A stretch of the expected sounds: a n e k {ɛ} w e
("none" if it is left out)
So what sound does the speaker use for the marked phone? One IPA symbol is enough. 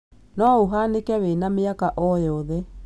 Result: ɛ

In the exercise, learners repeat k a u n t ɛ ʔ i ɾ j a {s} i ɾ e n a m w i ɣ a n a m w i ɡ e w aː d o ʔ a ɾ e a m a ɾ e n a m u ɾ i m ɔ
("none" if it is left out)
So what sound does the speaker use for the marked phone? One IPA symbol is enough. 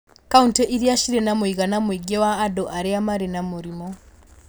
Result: ʃ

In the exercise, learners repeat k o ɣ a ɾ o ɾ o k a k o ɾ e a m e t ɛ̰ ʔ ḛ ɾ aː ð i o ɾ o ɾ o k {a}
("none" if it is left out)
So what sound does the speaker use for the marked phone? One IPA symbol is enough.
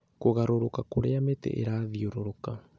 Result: a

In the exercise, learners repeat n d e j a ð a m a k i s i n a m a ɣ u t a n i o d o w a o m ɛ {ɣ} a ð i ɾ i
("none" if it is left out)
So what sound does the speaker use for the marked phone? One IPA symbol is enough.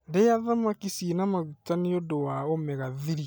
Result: ɣ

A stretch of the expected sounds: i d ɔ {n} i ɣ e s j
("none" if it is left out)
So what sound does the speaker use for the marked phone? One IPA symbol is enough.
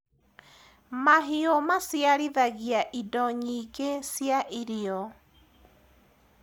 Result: ɲ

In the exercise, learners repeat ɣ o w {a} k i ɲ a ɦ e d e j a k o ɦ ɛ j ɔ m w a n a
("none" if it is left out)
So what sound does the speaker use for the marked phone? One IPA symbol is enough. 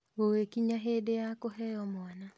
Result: e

